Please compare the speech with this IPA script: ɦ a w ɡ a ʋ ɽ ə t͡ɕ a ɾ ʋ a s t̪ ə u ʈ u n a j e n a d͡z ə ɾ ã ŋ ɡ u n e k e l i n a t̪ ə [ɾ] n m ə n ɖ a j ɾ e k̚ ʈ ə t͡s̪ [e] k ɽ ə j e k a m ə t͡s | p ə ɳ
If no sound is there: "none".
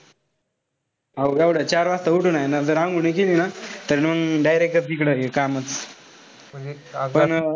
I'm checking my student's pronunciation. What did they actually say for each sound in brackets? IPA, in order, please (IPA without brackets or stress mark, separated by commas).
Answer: ɾ, i